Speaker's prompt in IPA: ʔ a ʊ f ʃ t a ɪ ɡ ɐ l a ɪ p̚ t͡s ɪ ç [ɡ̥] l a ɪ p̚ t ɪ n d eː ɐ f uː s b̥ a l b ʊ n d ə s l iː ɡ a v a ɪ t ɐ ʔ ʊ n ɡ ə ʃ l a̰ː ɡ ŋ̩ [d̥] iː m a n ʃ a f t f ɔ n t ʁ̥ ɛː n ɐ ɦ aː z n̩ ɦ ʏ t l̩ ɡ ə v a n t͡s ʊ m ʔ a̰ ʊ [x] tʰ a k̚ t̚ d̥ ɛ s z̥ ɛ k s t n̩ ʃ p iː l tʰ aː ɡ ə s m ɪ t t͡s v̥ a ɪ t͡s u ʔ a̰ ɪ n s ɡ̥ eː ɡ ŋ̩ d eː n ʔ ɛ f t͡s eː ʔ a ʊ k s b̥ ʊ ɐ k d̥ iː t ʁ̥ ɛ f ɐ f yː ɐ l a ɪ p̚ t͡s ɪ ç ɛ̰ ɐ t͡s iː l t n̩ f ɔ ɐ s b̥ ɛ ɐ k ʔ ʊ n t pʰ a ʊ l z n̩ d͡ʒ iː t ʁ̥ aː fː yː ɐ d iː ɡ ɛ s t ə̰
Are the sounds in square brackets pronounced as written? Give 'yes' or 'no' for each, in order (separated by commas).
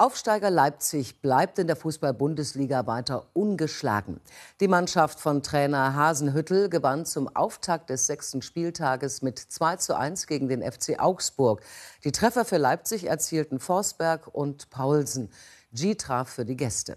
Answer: no, yes, no